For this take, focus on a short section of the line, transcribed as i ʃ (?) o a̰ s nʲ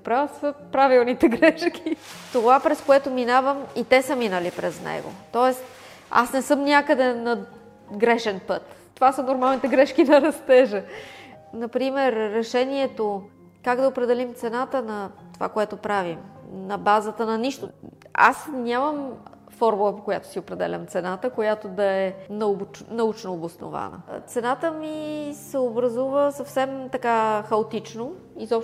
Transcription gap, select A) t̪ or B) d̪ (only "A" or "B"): A